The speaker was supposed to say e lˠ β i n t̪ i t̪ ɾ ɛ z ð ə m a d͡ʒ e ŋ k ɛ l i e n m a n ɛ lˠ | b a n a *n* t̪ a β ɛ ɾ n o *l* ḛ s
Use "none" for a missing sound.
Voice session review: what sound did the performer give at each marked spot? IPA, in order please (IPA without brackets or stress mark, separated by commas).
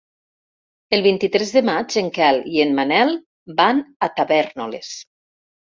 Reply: none, l